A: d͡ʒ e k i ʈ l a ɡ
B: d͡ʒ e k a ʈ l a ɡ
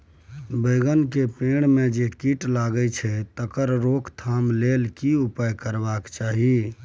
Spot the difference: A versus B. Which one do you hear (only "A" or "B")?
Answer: A